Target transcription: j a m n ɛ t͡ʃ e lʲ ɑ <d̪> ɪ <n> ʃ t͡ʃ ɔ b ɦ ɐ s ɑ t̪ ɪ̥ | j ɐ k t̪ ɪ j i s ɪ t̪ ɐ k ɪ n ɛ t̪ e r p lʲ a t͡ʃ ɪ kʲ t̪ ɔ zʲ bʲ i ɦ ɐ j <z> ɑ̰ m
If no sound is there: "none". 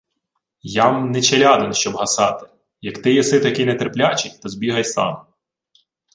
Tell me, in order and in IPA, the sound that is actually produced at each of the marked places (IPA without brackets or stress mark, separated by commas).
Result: d̪, n, s